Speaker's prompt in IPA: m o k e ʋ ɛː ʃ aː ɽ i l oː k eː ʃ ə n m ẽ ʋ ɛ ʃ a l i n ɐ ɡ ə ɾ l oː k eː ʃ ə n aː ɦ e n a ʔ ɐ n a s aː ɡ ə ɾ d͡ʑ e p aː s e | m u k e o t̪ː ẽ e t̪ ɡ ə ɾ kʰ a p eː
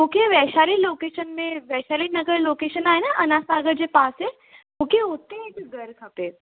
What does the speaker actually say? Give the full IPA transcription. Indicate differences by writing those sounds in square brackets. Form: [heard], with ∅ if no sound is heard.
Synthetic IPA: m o k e ʋ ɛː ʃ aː [l] i l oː k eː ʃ ə n m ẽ ʋ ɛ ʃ a l i n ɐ ɡ ə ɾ l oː k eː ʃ ə n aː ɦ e n a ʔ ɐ n a s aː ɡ ə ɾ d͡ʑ e p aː s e | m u k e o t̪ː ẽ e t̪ ɡ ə ɾ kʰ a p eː